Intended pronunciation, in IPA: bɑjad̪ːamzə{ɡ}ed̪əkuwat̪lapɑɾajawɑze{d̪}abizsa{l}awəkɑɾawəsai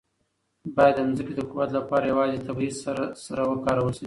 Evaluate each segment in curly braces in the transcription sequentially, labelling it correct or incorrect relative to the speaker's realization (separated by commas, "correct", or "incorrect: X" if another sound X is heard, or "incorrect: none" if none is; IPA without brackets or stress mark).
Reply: incorrect: k, incorrect: t̪, incorrect: ɾ